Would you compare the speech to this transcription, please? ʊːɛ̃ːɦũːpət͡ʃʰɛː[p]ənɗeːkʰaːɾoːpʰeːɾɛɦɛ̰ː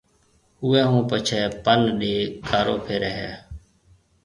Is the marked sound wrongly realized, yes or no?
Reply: no